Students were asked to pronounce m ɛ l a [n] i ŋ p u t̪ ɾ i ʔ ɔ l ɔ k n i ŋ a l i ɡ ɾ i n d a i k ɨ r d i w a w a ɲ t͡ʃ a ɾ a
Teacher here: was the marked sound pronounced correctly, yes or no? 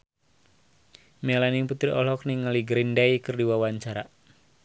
yes